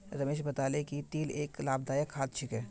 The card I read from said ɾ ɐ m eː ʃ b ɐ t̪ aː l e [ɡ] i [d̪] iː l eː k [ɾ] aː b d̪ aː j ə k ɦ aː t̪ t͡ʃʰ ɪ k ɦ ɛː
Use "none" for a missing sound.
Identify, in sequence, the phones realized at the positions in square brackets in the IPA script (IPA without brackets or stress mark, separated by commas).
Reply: k, t̪, l